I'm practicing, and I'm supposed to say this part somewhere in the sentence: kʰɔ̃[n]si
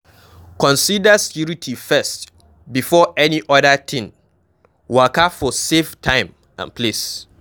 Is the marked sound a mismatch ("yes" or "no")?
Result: no